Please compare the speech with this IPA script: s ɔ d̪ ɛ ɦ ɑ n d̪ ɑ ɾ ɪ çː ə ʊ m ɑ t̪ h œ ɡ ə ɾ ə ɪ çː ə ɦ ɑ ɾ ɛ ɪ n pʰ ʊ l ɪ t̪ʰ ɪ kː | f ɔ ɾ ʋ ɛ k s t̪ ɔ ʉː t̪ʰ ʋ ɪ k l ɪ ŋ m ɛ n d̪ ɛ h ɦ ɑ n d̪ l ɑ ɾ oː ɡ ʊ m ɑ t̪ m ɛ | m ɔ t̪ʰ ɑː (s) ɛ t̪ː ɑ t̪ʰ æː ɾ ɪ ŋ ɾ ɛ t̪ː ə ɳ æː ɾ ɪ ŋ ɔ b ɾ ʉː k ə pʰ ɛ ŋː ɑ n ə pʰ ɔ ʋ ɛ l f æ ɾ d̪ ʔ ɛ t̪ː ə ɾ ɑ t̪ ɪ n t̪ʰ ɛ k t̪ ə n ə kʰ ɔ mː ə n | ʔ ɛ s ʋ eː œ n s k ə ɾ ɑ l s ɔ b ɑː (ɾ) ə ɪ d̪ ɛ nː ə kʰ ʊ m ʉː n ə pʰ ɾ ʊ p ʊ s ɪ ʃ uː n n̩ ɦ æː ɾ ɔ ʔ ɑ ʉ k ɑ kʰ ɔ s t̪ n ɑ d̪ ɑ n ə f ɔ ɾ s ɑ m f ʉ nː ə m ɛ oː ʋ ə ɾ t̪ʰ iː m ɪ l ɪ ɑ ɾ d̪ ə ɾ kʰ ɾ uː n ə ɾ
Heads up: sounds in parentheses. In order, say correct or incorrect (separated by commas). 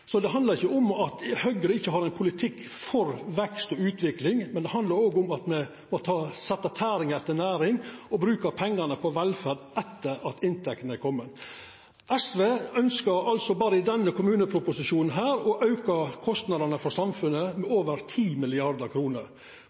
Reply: correct, correct